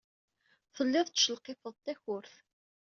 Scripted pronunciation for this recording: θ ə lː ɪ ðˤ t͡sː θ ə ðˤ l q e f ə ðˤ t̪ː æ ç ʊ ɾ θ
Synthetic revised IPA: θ ə lː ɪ ðˤ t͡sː ʃ ə l q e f ə ðˤ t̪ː æ ç ʊ ɾ θ

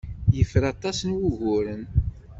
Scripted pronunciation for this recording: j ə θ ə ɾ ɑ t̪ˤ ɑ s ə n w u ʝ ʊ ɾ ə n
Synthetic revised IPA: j ə f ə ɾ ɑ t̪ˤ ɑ s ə n w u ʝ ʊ ɾ ə n

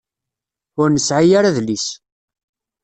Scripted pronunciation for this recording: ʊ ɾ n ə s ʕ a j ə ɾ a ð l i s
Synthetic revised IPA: ʊ ɾ n ə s ʕ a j a ɾ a ð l i s

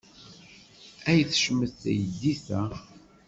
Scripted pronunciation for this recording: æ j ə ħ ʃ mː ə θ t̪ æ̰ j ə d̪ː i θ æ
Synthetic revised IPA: æ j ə θ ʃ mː ə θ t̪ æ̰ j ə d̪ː i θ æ

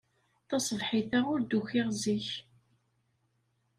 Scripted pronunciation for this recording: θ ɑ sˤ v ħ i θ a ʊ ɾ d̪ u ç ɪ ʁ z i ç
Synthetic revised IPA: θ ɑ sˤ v ħ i θ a ʊ ɾ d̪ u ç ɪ ʁ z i ç

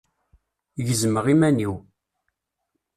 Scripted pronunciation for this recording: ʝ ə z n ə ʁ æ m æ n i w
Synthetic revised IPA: ʝ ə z m ə ʁ i m æ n i w

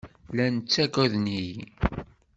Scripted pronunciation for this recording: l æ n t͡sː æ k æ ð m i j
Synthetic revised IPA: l æ n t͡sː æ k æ ð n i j

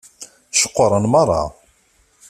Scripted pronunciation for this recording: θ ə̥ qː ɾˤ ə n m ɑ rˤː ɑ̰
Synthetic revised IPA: ʃ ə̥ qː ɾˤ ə n m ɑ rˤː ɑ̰

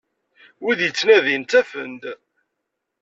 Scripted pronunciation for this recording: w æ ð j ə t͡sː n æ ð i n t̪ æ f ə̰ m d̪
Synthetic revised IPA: w i ð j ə t͡sː n æ ð i n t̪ æ f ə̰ n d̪

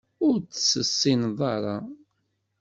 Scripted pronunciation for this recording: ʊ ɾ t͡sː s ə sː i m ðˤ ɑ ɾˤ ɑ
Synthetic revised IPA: ʊ ɾ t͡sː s ə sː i n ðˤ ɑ ɾˤ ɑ

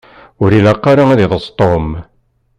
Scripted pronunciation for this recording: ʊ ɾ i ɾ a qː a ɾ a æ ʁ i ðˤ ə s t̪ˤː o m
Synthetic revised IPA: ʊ ɾ i l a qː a ɾ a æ ð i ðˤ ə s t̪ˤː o m

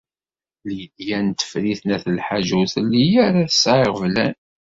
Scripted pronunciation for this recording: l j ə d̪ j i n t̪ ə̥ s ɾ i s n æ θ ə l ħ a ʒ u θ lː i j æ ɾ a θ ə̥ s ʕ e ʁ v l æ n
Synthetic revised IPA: l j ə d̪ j æ n t̪ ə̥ f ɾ i θ n æ θ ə l ħ a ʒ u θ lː i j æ ɾ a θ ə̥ s ʕ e ʁ v l æ n

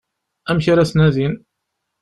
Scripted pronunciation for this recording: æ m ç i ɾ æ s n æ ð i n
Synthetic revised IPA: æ m ç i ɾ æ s n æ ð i n

